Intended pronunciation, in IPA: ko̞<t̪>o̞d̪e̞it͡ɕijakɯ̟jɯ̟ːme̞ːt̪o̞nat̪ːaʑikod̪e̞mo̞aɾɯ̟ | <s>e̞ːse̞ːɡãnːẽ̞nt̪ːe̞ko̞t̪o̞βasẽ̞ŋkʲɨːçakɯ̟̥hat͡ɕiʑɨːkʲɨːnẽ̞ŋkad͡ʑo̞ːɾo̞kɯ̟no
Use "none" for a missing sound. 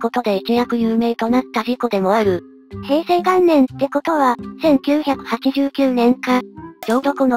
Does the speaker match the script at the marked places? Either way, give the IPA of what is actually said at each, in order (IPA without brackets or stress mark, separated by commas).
t̪, h